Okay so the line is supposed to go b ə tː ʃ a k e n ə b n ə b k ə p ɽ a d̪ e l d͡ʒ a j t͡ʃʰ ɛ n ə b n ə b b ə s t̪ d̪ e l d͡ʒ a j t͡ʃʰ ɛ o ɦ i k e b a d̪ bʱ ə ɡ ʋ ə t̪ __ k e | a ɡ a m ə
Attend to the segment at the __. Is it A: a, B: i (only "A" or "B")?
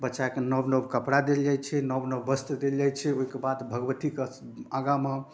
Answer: B